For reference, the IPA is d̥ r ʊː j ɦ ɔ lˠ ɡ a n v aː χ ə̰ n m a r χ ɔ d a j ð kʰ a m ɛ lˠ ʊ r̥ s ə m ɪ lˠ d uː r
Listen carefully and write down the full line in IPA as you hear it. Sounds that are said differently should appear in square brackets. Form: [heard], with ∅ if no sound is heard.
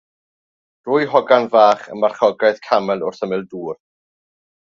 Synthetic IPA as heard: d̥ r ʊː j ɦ ɔ [∅] ɡ a n v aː χ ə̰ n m a r χ ɔ [ɡ] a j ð kʰ a m ɛ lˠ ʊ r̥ [θ] ə m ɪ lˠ d uː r